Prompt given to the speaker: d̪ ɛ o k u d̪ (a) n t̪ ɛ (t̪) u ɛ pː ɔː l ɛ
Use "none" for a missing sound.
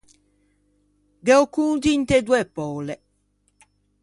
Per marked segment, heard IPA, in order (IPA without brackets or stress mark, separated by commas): i, d̪